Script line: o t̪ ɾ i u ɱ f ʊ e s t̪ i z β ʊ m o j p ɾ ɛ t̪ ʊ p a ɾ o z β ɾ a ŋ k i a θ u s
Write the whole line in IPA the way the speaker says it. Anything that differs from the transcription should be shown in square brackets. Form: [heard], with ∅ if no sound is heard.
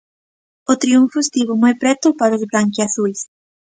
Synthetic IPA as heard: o t̪ ɾ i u ɱ f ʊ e s t̪ i [∅] β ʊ m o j p ɾ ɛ t̪ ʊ p a ɾ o z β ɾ a ŋ k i a θ u s